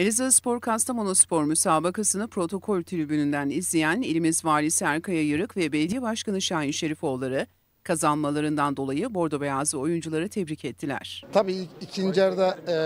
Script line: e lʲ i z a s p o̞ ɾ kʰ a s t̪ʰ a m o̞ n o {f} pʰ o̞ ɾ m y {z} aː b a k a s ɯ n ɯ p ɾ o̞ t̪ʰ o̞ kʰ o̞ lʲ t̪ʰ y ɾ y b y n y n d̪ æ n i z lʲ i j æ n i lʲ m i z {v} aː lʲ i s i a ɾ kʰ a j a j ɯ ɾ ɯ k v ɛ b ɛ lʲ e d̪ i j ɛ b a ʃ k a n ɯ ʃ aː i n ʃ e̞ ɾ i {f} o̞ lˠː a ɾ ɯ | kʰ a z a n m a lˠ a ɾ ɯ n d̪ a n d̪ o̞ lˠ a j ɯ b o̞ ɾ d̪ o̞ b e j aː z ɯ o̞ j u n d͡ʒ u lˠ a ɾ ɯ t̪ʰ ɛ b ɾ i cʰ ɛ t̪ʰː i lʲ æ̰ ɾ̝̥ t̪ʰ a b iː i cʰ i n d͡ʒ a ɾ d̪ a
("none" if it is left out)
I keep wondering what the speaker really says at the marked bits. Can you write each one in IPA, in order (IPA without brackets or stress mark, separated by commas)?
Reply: s, s, v, f